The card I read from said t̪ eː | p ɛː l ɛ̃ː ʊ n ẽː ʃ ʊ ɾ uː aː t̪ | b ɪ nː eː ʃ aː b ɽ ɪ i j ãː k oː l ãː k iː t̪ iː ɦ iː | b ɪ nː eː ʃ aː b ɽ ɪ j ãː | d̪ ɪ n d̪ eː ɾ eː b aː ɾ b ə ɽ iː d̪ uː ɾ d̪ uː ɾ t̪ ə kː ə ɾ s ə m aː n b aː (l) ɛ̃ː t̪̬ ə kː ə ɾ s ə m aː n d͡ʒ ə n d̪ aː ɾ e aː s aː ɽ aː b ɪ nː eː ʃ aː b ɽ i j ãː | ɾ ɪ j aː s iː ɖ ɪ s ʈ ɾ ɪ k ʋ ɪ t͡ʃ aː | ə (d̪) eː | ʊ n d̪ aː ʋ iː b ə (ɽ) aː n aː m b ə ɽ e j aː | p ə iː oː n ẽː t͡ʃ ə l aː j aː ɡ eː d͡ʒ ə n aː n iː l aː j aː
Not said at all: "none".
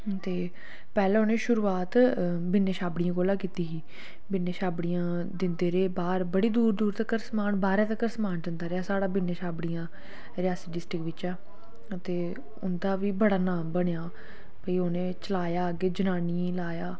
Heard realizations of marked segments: ɾ, t̪, ɽ

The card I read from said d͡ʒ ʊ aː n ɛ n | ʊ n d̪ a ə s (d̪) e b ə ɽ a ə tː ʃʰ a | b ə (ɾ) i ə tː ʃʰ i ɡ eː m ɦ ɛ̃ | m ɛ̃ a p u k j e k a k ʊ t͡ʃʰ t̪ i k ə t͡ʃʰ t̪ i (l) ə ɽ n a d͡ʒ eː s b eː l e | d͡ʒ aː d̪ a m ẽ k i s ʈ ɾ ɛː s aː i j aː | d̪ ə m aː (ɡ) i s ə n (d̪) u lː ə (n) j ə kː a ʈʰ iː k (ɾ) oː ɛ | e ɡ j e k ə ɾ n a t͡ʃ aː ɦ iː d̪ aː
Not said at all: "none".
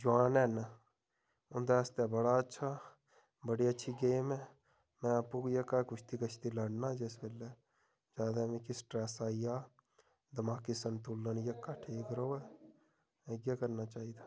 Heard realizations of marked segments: t̪, ɽ, l, k, t̪, n, ɾ

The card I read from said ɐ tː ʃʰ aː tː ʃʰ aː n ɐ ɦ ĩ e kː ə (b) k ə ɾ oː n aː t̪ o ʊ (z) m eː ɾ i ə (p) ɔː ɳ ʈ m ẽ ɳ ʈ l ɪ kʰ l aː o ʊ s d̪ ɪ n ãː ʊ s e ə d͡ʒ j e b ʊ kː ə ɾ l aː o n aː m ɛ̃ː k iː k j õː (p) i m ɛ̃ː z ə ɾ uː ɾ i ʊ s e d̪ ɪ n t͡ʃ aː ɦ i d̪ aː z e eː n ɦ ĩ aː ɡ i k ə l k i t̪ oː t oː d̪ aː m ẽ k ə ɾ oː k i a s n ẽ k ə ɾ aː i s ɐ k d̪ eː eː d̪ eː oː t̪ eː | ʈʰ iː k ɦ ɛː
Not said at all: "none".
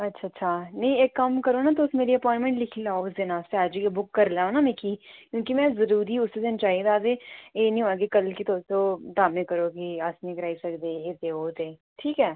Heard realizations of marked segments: m, s, p, k

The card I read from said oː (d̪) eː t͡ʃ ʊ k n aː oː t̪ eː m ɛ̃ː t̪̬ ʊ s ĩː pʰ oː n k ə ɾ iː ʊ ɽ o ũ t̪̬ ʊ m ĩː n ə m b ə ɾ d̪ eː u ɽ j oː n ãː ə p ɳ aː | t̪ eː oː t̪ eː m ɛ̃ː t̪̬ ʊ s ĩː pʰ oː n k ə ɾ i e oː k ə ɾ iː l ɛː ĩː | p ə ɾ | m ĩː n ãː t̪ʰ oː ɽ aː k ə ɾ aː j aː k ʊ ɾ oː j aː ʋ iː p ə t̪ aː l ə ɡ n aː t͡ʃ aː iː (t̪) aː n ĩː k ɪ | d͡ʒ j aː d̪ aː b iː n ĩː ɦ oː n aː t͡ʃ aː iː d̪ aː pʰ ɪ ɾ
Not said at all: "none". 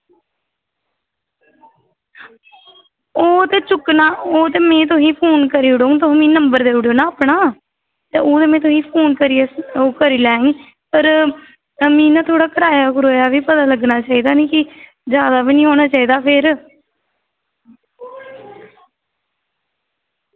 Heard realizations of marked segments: t̪, d̪

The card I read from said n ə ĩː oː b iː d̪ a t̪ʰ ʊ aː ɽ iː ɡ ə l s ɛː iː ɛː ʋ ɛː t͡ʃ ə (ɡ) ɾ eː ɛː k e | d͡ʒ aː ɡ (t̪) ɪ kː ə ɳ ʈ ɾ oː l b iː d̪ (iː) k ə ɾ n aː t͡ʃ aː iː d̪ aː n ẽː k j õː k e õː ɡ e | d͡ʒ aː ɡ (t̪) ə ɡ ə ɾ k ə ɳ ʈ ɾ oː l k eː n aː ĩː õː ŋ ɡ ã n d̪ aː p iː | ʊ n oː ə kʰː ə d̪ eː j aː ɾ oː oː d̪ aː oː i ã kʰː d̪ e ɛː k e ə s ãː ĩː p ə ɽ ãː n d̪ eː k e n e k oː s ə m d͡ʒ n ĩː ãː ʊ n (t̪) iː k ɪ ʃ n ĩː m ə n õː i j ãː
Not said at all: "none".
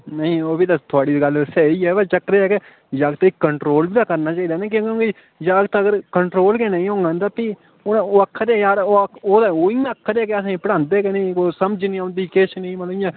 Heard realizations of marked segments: k, t̪, aː, t̪, d̪

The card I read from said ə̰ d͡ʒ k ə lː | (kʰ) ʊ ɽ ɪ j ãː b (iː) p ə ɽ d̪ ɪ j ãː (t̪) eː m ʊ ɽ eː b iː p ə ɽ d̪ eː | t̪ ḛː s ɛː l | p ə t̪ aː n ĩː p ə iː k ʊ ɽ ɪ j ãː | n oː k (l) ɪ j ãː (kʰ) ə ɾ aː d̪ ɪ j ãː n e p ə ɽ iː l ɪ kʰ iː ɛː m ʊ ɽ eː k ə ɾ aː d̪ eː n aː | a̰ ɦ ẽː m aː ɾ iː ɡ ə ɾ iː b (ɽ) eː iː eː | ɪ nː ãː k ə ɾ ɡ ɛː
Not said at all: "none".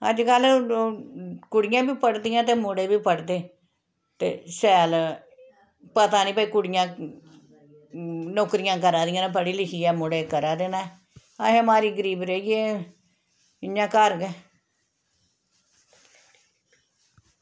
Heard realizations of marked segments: k, iː, t̪, ɾ, k, ɾ

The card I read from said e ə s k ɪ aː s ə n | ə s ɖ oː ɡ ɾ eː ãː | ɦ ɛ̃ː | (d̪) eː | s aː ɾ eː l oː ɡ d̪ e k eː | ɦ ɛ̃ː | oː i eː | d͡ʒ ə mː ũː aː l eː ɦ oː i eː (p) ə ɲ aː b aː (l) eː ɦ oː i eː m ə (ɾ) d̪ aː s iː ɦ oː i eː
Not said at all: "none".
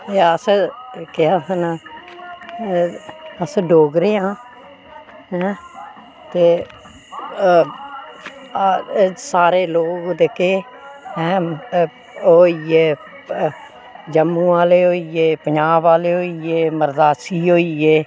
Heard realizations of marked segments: t̪, p, l, ɾ

